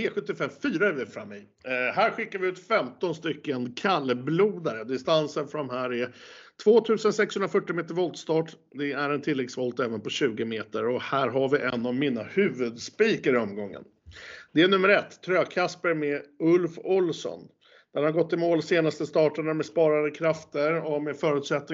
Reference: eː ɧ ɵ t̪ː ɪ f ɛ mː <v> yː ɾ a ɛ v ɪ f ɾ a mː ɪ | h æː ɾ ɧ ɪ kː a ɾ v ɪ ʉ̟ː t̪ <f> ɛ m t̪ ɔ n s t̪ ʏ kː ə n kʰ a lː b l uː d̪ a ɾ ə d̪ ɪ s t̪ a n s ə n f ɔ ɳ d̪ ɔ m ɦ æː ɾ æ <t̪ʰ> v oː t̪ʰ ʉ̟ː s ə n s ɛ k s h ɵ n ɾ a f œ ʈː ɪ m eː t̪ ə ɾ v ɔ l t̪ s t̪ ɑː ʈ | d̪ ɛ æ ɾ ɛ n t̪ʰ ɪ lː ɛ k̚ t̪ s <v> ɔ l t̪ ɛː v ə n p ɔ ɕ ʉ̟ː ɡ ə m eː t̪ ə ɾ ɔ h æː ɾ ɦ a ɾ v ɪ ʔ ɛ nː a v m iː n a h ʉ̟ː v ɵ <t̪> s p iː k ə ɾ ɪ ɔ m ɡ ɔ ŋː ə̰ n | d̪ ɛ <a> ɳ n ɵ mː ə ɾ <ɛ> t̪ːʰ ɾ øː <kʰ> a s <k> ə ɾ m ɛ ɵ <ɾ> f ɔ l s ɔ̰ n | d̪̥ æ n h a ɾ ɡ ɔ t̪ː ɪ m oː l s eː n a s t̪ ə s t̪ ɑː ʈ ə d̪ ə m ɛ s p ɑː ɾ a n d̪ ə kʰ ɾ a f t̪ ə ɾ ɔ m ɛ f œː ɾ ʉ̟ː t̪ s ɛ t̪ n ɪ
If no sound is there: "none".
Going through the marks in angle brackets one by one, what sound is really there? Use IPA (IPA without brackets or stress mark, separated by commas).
f, f, t̪ʰ, v, d̪, æ, ɛ, kʰ, p, l